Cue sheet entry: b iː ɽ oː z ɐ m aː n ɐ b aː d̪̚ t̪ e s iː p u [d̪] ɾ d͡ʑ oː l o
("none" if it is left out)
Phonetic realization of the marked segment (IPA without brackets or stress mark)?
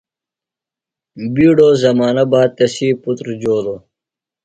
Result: t̪